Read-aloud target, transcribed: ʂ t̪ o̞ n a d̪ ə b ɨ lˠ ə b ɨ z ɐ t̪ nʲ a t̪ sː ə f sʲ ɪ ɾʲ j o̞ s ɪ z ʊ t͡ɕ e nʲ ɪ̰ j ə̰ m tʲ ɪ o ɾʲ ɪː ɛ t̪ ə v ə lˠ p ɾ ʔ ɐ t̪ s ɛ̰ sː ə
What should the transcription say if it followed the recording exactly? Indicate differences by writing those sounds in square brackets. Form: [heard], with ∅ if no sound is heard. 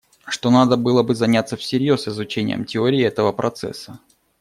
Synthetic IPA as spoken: ʂ t̪ o̞ n a d̪ ə b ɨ lˠ ə b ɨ z ɐ [∅] nʲ a t̪ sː ə f sʲ ɪ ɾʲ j o̞ s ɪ z ʊ t͡ɕ e nʲ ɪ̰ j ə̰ m tʲ ɪ o ɾʲ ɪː ɛ t̪ ə v ə [∅] p ɾ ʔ ɐ t̪ s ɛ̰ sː ə